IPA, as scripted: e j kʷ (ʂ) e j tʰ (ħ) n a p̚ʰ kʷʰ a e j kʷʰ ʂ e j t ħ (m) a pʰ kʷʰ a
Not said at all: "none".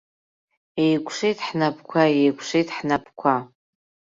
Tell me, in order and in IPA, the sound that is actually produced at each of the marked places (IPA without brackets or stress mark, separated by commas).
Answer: ʂ, ħ, n